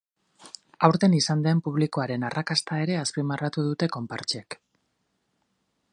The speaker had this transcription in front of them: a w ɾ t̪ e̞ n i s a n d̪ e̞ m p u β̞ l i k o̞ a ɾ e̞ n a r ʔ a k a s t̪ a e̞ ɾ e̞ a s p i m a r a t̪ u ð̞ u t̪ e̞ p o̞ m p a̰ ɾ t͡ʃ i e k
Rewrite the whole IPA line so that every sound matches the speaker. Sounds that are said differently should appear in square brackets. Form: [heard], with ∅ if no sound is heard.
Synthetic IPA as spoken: a w ɾ t̪ e̞ n i s a n d̪ e̞ m p u β̞ l i k o̞ a ɾ e̞ n a r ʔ a k a s t̪ a e̞ ɾ e̞ a s p i m a r a t̪ u ð̞ u t̪ e̞ [k] o̞ m p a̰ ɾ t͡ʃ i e k